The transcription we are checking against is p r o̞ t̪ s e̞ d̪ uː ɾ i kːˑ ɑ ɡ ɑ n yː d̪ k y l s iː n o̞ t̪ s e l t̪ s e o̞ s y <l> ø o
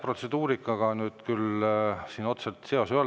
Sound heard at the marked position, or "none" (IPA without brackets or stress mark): none